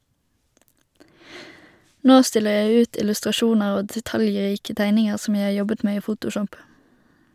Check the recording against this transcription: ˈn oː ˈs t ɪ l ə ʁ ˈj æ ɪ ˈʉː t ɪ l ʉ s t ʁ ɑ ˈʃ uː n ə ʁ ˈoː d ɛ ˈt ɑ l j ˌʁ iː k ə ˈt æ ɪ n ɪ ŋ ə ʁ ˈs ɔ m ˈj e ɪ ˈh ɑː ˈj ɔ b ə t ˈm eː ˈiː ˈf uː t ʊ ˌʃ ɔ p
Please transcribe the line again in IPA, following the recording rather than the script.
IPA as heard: ˈn oː ˈs t ɪ l ə ʁ ˈj æ ɪ ˈʉː t ɪ l ʉ s t ʁ ɑ ˈʃ uː n ə ʁ ˈoː d ɛ ˈt ɑ l j ˌʁ iː k ə ˈt æ ɪ n ɪ ŋ ə ʁ ˈs ɔ m ˈj æ ɪ ˈh ɑː ˈj ɔ b ə t ˈm eː ˈiː ˈf uː t ʊ ˌʃ ɔ p

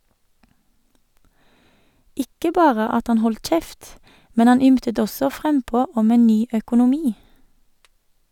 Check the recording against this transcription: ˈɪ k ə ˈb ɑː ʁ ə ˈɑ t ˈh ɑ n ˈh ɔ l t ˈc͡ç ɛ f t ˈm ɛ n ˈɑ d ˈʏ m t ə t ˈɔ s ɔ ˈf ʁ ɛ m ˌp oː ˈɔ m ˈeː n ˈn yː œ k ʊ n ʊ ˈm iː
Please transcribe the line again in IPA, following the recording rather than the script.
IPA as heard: ˈɪ k ə ˈb ɑː ʁ ə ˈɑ t ˈh ɑ n ˈh ɔ l t ˈc͡ç ɛ f t ˈm ɛ n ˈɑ n ˈʏ m t ə t ˈɔ s ɔ ˈf ʁ ɛ m ˌp oː ˈɔ m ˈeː n ˈn yː œ k ʊ n ʊ ˈm iː

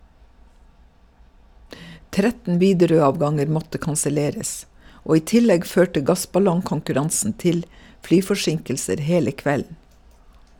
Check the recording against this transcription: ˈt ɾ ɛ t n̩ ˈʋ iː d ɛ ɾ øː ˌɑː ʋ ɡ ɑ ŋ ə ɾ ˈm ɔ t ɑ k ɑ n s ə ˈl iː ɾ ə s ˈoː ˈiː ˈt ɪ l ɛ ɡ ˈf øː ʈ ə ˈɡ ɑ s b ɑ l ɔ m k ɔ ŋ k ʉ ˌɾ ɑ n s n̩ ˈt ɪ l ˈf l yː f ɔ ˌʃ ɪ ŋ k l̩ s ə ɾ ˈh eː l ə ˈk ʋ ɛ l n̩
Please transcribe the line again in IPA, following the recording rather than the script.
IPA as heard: ˈt ɾ ɛ t n̩ ˈʋ iː d ɛ ɾ øː ˌɑː ʋ ɡ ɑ ŋ ə ɾ ˈm ɔ t ə k ɑ n s ə ˈl eː ɾ ə s ˈoː ˈiː ˈt ɪ l ɛ ɡ ˈf øː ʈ ə ˈɡ ɑ s b ɑ l ɔ ŋ k ɔ ŋ k ʉ ˌɾ ɑ n s n̩ ˈt ɪ l ˈf l yː f ɔ ˌʃ ɪ ŋ k l̩ s ə ɾ ˈh eː l ə ˈk ʋ ɛ l n̩

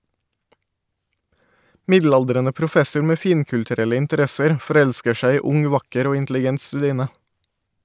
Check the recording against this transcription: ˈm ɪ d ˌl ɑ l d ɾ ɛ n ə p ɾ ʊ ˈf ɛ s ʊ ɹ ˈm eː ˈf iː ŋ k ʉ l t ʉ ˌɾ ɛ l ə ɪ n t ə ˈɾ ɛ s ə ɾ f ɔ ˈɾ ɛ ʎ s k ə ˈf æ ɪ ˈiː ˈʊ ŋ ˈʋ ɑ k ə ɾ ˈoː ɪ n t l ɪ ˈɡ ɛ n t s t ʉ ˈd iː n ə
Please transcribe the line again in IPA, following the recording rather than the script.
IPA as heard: ˈm ɪ d ˌl ɑ l d ɾ ɛ n ə p ɾ ʊ ˈf ɛ s ʊ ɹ ˈm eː ˈf iː ŋ k ʉ l t ʉ ˌɾ ɛ l ə ɪ n t ə ˈɾ ɛ s ə ɾ f ɔ ˈɾ ɛ ʎ s k ə ˈʃ æ ɪ ˈiː ˈʊ ŋ ˈʋ ɑ k ə ɾ ˈoː ɪ n t l ɪ ˈɡ ɛ n t s t ʉ ˈd iː n ə

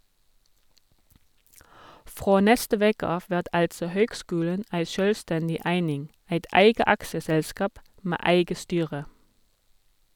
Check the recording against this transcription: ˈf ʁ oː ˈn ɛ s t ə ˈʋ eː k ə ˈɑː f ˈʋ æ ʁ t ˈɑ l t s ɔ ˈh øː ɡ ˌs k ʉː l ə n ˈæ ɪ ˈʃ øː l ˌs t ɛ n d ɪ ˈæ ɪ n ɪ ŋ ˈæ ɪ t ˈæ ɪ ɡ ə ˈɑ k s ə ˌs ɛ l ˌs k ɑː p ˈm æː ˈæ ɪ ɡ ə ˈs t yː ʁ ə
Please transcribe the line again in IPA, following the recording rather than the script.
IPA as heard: ˈf ʁ oː ˈn ɛ s t ə ˈʋ eː k ə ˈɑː f ˈʋ æ ʁ t ˈɑ l t s ɔ ˈh øː ɡ ˌs k ʉː l ə n ˈæ ɪ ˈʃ øː l ˌs t ɛ n d ɪ ˈæ ɪ n ɪ ŋ ˈæ ɪ t ˈæ ɪ ɡ ə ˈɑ k s ə ˌs ɛ l ˌs k ɑː p ˈm æː ˈæ ɪ ɡ ə ˈs t yː ʁ ə

